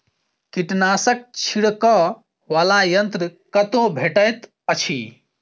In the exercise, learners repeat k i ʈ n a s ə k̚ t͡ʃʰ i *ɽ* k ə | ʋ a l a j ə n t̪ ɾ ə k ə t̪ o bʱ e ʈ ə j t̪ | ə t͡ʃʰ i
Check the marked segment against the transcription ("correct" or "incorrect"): correct